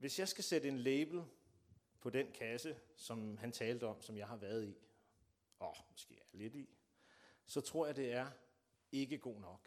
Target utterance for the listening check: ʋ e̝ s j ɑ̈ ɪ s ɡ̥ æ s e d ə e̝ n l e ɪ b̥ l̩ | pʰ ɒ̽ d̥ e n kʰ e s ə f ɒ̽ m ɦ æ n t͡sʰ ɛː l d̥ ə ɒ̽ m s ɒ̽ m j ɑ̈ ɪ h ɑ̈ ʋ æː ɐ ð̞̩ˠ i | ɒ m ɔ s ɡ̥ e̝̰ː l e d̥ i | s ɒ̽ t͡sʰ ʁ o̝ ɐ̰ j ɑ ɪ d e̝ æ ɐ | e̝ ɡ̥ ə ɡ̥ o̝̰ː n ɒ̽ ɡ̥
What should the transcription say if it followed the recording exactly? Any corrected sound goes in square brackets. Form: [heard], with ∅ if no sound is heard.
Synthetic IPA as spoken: ʋ e̝ s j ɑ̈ ɪ s ɡ̥ æ s e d ə e̝ n l e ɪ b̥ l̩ | pʰ ɒ̽ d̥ e n kʰ [æ] s ə [s] ɒ̽ m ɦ æ n t͡sʰ ɛː l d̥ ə ɒ̽ m s ɒ̽ m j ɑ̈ ɪ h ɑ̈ ʋ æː ɐ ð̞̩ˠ i | ɒ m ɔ s ɡ̥ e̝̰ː l e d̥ i | s ɒ̽ t͡sʰ ʁ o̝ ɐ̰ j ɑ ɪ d e̝ æ ɐ | e̝ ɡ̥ ə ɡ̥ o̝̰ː n ɒ̽ ɡ̥